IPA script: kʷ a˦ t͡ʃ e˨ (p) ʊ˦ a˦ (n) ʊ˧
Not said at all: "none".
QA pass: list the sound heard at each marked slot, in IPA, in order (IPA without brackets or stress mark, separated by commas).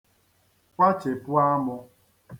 p, m